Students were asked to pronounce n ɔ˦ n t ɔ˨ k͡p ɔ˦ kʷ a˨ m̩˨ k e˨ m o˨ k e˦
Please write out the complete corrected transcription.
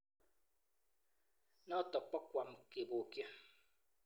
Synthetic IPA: n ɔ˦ t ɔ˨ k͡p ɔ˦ kʷ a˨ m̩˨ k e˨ b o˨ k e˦